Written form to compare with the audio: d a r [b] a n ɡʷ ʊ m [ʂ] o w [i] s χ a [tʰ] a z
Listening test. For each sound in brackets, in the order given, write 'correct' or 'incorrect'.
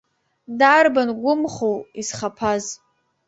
correct, incorrect: χ, correct, incorrect: pʰ

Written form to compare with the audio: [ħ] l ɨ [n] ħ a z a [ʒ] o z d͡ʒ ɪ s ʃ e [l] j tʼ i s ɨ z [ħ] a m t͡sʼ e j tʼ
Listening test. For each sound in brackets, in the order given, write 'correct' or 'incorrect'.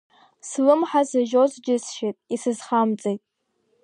incorrect: s, incorrect: m, correct, incorrect: none, incorrect: χ

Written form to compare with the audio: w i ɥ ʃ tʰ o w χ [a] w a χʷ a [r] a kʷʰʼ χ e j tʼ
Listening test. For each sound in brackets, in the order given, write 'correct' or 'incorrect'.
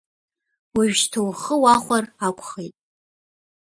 incorrect: ə, correct

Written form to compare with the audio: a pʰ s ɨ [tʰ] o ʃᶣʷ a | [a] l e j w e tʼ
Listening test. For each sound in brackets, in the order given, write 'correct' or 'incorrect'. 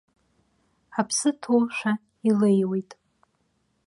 correct, incorrect: i

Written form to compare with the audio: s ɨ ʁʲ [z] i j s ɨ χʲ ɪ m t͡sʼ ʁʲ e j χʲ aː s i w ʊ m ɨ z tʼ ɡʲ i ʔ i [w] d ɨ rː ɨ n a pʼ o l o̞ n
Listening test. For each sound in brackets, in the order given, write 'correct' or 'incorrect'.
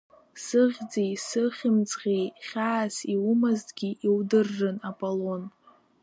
incorrect: d͡z, correct

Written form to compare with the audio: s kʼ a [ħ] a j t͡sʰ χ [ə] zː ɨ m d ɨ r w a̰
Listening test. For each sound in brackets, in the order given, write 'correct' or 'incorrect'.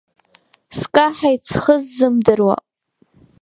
correct, correct

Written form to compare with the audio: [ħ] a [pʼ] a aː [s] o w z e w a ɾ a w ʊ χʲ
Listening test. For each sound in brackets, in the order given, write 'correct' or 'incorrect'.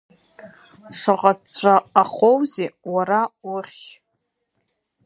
incorrect: ʂ, incorrect: qʼ, incorrect: χ

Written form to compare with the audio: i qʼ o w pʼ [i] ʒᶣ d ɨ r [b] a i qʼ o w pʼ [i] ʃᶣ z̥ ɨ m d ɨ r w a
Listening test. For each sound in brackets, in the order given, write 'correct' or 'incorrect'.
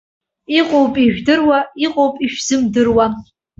correct, incorrect: w, correct

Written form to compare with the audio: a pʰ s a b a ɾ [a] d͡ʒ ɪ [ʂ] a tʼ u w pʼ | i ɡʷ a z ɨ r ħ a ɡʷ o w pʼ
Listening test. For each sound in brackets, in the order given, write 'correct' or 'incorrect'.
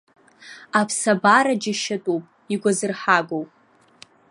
correct, incorrect: ʃ

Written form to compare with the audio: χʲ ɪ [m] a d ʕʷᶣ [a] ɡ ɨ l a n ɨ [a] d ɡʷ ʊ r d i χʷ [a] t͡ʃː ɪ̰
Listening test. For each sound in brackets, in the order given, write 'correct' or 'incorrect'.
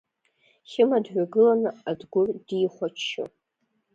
correct, correct, correct, correct

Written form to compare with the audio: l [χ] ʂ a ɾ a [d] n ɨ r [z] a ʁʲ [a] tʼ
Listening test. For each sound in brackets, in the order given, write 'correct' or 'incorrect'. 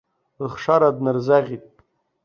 correct, correct, correct, incorrect: i

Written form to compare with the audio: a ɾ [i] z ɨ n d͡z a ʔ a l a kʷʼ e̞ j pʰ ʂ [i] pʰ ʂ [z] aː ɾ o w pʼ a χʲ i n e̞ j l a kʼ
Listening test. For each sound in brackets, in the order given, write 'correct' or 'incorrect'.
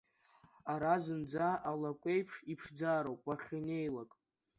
incorrect: a, correct, incorrect: d͡z

